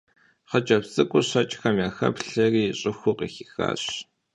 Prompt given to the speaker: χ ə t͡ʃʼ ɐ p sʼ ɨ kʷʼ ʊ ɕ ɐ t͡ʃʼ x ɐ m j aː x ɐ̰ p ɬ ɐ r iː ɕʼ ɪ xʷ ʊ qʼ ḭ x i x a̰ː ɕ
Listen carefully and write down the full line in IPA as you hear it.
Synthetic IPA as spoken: χ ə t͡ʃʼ ɐ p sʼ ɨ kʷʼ ʊ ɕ ɐ t͡ʃʼ x ɐ m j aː x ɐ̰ p ɬ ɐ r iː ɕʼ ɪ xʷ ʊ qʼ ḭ x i x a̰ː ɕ